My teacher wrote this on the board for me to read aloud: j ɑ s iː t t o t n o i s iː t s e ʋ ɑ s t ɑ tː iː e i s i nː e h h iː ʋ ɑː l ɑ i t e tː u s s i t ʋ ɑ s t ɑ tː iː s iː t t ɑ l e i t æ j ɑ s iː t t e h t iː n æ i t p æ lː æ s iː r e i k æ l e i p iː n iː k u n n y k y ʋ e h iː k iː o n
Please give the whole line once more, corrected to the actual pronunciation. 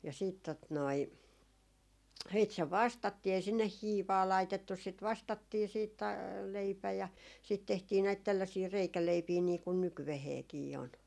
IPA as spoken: j ɑ s iː t t o t n o i s iː t s e ʋ ɑ s t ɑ tː iː e i s i nː e h h iː ʋ ɑː l ɑ i t e tː u s s i t ʋ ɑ s t ɑ tː iː s iː t t ɑ l e i p æ j ɑ s iː t t e h t iː n æ i t t æ lː æ s iː r e i k æ l e i p iː n iː k u n n y k y ʋ e h eː k iː o n